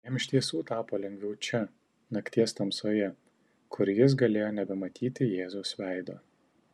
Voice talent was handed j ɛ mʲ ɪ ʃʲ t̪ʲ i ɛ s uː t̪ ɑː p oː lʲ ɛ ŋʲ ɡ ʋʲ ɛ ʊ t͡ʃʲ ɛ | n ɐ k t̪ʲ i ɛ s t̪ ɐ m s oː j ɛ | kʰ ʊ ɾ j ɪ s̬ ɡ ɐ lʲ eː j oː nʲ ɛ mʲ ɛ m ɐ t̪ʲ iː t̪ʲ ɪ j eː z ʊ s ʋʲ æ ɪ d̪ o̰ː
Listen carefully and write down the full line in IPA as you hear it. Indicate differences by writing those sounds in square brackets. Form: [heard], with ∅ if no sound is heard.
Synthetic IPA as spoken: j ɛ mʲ ɪ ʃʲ t̪ʲ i ɛ s uː t̪ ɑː p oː lʲ ɛ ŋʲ ɡ ʋʲ ɛ ʊ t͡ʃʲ ɛ | n ɐ k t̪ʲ i ɛ s t̪ ɐ m s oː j ɛ | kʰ ʊ ɾ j ɪ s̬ ɡ ɐ lʲ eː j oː nʲ ɛ [bʲ] ɛ m ɐ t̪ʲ iː t̪ʲ ɪ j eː z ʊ s ʋʲ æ ɪ d̪ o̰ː

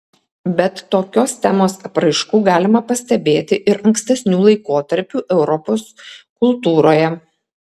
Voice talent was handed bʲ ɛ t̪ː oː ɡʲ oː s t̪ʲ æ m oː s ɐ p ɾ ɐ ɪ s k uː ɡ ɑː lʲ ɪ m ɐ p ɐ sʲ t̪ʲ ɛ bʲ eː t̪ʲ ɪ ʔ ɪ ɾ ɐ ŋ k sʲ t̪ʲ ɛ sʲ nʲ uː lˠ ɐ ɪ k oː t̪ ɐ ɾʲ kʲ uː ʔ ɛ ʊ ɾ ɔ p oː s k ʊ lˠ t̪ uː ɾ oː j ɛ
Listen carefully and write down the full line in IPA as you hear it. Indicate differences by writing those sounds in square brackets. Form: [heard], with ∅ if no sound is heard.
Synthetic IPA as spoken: bʲ ɛ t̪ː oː [kʲ] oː s t̪ʲ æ m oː s ɐ p ɾ ɐ ɪ [ʃ] k uː ɡ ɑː lʲ ɪ m ɐ p ɐ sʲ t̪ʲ ɛ bʲ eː t̪ʲ ɪ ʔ ɪ ɾ ɐ ŋ k sʲ t̪ʲ ɛ sʲ nʲ uː lˠ ɐ ɪ k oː t̪ ɐ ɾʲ [pʲ] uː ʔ ɛ ʊ ɾ ɔ p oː s k ʊ lˠ t̪ uː ɾ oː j ɛ

